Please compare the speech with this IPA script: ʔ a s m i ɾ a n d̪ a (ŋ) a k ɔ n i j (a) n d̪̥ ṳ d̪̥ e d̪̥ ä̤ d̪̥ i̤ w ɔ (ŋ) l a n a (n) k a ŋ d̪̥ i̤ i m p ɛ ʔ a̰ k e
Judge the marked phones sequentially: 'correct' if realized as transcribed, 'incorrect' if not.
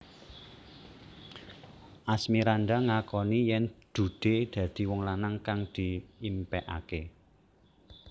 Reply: correct, incorrect: ɛ, correct, incorrect: ŋ

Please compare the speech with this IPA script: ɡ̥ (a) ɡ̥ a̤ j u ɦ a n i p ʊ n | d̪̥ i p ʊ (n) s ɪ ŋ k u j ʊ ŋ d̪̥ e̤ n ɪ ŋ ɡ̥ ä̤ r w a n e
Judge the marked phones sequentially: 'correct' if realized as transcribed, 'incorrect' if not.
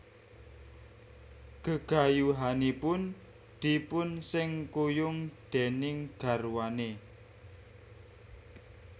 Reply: incorrect: ə, correct

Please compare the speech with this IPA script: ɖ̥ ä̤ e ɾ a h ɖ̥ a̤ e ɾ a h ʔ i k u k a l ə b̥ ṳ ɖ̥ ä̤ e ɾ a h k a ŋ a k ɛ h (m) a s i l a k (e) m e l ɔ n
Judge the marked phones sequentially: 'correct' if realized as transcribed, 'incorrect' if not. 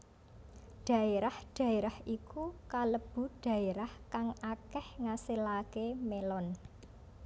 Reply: incorrect: ŋ, correct

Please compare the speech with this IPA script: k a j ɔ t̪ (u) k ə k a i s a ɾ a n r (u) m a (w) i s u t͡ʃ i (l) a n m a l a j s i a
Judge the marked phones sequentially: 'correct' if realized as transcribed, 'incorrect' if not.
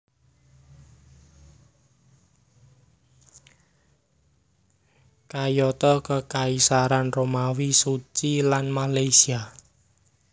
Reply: incorrect: ɔ, incorrect: o, correct, correct

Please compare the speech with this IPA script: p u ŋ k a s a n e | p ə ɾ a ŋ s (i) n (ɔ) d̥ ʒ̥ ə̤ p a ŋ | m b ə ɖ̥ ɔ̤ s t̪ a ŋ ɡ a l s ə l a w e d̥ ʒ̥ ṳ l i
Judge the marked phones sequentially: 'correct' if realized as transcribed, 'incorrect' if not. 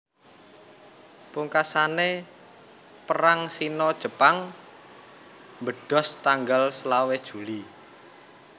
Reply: correct, correct

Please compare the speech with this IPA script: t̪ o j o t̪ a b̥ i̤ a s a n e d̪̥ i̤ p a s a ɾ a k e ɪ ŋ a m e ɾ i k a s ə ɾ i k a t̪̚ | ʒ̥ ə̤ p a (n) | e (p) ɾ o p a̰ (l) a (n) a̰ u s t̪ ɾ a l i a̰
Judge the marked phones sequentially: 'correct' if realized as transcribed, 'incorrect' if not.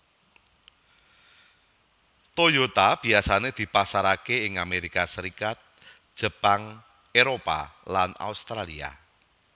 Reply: incorrect: ŋ, incorrect: none, correct, correct

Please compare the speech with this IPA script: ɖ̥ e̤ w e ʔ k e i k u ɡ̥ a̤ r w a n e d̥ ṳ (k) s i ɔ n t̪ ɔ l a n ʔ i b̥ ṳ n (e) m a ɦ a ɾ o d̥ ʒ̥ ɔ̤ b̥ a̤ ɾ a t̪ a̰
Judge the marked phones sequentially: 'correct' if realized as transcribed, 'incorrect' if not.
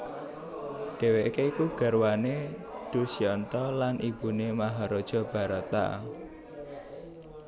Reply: incorrect: none, correct

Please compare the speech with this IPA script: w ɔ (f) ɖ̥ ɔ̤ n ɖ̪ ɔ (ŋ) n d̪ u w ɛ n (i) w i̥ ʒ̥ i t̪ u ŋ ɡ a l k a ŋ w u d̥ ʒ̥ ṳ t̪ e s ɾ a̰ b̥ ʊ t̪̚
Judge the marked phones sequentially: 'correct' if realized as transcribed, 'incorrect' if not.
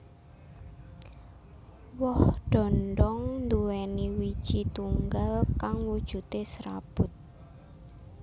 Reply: incorrect: h, correct, correct

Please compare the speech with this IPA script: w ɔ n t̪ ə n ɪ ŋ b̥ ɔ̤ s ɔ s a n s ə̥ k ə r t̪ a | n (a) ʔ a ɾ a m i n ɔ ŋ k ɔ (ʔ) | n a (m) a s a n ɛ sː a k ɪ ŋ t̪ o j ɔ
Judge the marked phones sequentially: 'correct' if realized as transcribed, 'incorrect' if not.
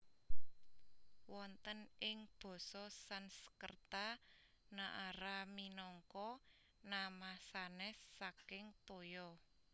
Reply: correct, incorrect: none, correct

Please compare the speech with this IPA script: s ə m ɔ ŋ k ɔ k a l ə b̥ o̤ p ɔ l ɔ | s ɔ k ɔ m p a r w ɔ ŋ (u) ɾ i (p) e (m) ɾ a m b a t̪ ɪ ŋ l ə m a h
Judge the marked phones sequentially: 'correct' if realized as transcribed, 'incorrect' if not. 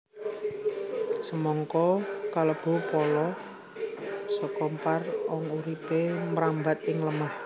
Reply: correct, correct, correct

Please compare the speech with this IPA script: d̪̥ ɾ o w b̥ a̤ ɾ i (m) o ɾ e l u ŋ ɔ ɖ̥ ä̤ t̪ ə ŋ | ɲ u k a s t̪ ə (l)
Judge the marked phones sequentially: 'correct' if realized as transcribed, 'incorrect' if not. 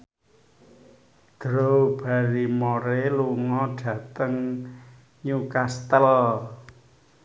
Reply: correct, correct

